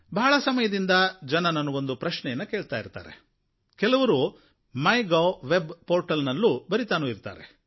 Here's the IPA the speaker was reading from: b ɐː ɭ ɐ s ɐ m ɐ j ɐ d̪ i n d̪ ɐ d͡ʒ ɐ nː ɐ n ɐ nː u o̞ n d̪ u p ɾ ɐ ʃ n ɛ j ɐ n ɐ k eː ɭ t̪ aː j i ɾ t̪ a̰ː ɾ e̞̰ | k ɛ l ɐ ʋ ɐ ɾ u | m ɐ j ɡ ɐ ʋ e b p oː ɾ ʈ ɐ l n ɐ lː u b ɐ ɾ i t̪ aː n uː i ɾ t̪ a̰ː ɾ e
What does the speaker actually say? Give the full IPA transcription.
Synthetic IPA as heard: b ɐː ɭ ɐ s ɐ m ɐ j ɐ d̪ i n d̪ ɐ d͡ʒ ɐ n ɐ n ɐ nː u o̞ n d̪ u p ɾ ɐ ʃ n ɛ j ɐ nː ɐ k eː ɭ t̪ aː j i ɾ t̪ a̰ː ɾ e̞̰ | k ɛ l ɐ ʋ ɐ ɾ u | m ɐ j ɡ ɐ ʋ e b p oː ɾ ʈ ɐ l n ɐ lː u b ɐ ɾ i t̪ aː n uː i ɾ t̪ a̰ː ɾ e